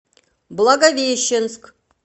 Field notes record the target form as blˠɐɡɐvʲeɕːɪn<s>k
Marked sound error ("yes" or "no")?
no